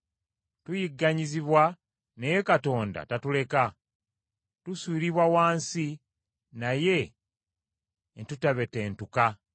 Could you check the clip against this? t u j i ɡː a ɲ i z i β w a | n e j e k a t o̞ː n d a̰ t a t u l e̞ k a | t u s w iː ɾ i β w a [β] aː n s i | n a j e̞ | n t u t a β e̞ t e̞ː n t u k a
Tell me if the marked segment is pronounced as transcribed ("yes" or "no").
no